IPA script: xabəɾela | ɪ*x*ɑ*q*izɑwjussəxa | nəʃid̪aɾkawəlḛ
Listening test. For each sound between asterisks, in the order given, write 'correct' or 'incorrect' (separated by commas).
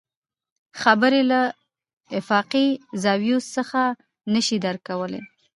incorrect, correct